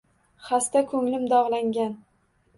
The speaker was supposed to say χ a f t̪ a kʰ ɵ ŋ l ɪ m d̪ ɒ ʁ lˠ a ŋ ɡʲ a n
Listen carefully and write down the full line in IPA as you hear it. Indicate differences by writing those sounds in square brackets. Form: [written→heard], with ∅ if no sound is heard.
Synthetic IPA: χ a [f→s] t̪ a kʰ ɵ ŋ l ɪ m d̪ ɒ ʁ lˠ a ŋ ɡʲ a n